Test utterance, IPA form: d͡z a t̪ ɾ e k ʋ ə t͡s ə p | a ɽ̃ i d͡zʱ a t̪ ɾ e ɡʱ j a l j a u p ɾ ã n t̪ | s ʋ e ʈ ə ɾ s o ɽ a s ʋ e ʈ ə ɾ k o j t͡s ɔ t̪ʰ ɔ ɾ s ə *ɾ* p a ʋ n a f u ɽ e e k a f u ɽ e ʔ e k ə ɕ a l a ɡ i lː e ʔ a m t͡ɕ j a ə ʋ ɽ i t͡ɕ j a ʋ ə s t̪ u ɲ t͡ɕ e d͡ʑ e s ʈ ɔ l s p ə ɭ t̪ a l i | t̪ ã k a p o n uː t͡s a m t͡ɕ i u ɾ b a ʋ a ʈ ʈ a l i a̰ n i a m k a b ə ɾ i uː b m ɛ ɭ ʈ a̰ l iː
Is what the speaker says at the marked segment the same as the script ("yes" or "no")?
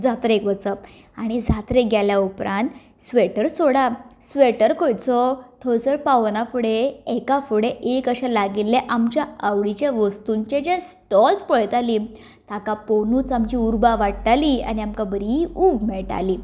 yes